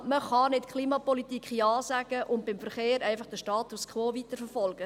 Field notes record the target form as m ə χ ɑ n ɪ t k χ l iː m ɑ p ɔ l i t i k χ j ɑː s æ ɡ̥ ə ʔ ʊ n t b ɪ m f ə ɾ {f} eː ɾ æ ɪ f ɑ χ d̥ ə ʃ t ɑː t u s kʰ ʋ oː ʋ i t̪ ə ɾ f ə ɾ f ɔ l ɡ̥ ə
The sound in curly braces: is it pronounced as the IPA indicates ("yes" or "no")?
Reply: no